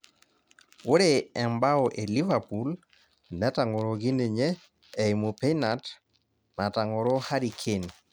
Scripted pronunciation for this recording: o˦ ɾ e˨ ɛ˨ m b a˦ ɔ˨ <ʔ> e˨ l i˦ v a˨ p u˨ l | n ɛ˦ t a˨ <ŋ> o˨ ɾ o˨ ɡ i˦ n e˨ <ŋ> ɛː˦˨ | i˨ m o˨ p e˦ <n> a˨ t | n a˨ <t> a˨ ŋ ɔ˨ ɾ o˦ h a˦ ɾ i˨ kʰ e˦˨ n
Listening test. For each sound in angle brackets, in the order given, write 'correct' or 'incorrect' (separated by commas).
correct, correct, incorrect, correct, correct